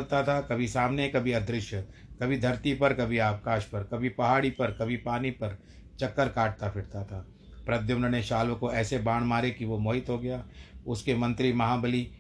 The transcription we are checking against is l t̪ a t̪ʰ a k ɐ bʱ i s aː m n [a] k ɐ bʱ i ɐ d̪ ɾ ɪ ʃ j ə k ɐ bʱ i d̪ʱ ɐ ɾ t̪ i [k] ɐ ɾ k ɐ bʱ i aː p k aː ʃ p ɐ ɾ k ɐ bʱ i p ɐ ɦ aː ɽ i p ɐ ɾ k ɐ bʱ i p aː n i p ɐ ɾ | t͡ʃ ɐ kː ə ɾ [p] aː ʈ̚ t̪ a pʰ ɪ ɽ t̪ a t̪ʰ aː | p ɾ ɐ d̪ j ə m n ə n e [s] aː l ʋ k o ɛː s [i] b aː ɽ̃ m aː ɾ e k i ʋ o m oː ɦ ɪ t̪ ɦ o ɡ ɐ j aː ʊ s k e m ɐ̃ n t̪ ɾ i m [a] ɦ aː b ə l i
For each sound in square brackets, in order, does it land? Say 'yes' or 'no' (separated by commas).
no, no, no, no, no, no